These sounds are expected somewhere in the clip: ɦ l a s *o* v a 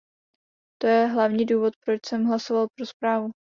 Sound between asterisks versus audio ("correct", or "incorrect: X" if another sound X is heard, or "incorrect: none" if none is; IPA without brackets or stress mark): correct